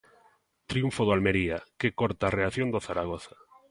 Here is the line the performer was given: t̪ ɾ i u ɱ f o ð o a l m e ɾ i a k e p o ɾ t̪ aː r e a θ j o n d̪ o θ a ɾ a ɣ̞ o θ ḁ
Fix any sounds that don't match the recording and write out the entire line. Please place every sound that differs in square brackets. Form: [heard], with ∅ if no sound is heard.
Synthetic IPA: t̪ ɾ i u ɱ f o ð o a l m e ɾ i a k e [k] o ɾ t̪ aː r e a θ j o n d̪ o θ a ɾ a ɣ̞ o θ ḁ